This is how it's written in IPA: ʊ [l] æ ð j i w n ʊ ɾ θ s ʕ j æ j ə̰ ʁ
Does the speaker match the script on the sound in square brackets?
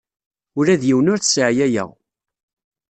no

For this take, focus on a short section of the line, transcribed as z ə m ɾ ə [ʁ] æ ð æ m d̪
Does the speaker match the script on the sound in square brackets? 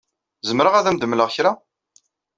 yes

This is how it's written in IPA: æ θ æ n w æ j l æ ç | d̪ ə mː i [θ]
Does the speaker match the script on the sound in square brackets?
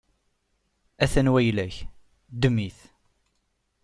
yes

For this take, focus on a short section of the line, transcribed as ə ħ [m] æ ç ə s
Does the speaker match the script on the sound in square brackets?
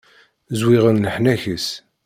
no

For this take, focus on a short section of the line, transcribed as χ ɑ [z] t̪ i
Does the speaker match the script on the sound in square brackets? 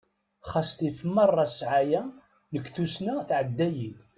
no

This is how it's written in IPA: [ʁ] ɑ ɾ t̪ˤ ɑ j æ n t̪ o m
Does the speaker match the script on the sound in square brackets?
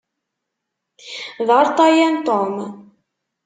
no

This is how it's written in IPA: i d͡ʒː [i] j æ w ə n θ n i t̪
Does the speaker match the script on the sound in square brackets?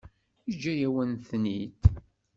no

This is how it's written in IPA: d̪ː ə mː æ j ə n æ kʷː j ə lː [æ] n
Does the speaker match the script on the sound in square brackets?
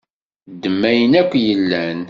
yes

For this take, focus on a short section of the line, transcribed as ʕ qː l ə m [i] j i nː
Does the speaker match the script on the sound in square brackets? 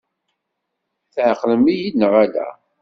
yes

